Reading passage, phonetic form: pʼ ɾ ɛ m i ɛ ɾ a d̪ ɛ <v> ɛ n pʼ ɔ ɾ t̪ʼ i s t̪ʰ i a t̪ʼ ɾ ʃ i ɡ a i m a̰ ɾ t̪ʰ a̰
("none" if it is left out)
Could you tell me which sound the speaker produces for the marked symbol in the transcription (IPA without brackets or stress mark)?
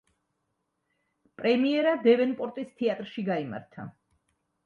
v